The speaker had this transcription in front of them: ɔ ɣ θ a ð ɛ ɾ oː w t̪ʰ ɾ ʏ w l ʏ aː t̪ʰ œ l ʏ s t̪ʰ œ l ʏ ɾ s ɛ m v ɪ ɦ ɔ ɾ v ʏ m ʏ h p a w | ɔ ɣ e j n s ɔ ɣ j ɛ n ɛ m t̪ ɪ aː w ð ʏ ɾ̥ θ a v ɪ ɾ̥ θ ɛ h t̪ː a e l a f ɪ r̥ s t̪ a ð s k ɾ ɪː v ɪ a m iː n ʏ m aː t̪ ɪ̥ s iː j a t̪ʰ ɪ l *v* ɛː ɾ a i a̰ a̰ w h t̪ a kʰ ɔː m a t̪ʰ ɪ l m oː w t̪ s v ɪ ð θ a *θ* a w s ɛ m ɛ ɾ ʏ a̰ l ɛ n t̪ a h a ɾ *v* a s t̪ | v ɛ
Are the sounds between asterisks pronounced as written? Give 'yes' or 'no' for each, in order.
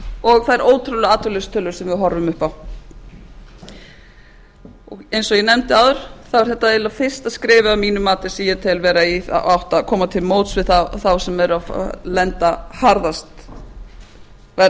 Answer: yes, yes, no

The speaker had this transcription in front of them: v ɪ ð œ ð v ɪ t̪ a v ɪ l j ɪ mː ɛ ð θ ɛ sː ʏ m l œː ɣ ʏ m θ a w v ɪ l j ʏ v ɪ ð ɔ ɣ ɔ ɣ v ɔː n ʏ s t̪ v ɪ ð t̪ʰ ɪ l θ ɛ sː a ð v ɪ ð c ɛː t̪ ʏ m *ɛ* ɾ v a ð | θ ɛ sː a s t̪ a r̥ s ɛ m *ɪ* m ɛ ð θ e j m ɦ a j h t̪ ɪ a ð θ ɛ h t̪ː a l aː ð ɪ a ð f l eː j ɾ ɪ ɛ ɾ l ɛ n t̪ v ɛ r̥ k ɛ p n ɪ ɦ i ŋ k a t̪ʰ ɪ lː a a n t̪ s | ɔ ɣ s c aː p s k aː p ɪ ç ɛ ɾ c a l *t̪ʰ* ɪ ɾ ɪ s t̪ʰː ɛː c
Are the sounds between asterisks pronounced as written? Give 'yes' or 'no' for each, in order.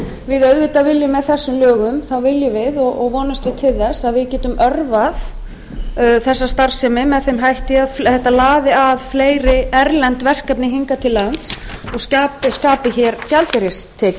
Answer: no, yes, no

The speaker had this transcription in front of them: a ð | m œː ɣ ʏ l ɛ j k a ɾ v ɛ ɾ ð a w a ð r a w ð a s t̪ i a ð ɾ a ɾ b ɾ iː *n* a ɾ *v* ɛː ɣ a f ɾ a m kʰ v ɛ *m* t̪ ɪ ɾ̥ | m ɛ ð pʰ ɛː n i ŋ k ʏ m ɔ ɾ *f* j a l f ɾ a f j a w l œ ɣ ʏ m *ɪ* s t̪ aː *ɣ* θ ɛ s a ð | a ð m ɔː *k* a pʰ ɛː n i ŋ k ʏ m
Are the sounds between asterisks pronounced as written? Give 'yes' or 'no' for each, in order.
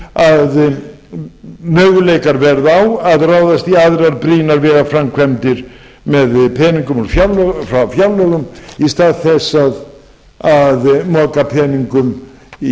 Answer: yes, yes, yes, yes, no, no, yes

